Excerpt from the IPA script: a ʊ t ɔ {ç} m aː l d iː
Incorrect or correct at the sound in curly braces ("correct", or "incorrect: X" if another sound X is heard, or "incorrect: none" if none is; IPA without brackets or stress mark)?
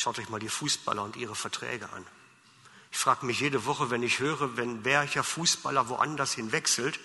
correct